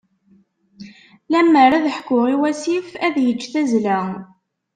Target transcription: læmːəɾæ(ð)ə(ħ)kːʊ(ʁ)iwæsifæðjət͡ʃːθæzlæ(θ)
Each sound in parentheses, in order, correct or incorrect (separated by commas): correct, correct, correct, incorrect